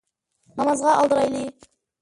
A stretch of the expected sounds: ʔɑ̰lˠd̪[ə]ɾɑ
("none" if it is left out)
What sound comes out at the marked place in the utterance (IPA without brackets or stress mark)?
ə